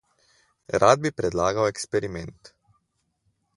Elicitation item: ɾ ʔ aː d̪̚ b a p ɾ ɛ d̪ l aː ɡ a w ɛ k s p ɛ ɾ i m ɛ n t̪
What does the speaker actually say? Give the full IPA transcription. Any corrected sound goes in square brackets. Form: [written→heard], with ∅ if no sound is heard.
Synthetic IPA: ɾ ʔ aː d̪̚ b [a→i] p ɾ ɛ d̪ l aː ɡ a w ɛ k s p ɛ ɾ i m ɛ n t̪

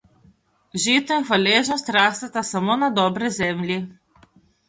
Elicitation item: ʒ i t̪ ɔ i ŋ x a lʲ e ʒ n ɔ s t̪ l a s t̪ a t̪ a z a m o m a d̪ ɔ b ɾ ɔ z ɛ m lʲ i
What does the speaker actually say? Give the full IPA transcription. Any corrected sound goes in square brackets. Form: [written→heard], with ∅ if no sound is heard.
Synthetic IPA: ʒ i t̪ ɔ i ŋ x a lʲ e ʒ n ɔ s t̪ [l→ɾ] a s t̪ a t̪ a [z→s] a m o [m→n] a d̪ ɔ b ɾ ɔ z ɛ m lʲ i

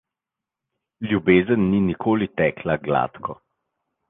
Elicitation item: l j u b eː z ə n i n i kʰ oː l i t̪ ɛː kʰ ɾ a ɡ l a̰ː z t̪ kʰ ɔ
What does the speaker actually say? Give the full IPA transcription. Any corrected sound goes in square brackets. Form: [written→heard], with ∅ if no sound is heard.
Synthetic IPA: l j u b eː z ə [n→nː] i n i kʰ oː l i t̪ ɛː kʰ [ɾ→l] a ɡ l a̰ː [z→∅] t̪ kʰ ɔ

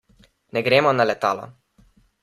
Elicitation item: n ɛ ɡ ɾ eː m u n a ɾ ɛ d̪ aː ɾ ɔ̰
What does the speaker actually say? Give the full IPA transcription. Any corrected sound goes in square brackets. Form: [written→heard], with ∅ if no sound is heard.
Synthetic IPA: n ɛ ɡ ɾ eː m [u→ɔ] n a [ɾ→l] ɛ [d̪→t̪] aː [ɾ→l] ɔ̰

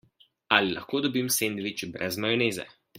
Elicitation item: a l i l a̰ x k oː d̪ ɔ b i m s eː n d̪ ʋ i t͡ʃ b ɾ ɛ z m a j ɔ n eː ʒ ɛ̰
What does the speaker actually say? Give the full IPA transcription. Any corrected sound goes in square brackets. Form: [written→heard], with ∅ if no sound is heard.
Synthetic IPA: a l i l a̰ x k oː d̪ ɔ b i m s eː n d̪ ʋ i t͡ʃ b ɾ ɛ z m a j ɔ n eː [ʒ→z] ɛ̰

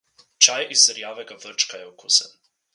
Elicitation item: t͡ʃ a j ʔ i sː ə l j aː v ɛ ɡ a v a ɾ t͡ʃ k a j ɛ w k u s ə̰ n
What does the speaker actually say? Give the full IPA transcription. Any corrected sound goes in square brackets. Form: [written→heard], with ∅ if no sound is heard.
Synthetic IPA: t͡ʃ a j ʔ i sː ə [l→ɾ] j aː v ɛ ɡ a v [a→ə] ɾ t͡ʃ k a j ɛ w k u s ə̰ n

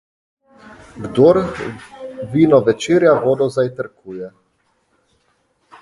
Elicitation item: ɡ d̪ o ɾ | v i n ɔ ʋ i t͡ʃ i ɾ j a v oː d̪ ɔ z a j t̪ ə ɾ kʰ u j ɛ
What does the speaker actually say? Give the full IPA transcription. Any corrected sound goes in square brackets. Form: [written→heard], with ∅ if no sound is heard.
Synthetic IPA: ɡ d̪ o ɾ | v i n ɔ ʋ [i→ɛ] t͡ʃ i ɾ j a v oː d̪ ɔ z a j t̪ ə ɾ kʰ u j ɛ

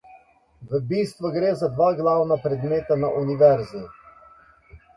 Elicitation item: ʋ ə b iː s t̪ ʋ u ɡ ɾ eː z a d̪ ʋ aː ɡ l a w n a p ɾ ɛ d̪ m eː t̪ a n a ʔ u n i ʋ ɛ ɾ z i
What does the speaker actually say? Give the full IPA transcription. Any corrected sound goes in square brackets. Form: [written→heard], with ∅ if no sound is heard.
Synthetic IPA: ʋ ə b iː s t̪ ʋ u ɡ ɾ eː z a d̪ ʋ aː ɡ l a w n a p ɾ ɛ d̪ m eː t̪ a n a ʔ u n i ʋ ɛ ɾ z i

